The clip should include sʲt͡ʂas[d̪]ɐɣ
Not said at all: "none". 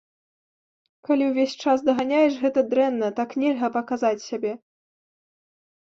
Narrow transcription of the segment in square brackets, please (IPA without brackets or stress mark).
d̪